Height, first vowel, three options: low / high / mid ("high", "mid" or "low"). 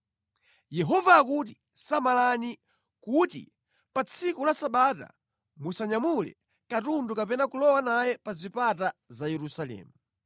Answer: mid